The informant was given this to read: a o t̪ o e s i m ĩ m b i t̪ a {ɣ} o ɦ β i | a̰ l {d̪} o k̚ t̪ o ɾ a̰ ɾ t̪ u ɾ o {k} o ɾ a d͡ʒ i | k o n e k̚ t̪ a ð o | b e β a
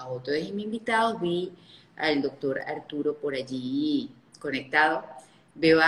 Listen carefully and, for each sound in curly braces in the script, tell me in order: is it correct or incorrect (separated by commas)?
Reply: incorrect, correct, incorrect